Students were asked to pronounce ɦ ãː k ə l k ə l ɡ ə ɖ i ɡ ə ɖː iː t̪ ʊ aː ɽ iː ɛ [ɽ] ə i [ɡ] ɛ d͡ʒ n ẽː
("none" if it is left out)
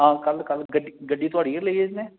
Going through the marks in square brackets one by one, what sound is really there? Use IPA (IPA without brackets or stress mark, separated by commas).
l, none